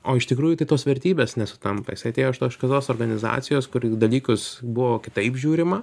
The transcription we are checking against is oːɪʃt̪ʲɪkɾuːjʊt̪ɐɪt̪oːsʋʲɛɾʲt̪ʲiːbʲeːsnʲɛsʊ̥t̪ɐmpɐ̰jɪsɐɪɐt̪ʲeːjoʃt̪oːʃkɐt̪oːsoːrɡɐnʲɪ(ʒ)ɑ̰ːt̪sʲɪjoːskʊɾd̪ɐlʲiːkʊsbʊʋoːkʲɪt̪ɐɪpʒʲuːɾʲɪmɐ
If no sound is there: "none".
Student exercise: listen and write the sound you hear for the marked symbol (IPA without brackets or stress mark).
z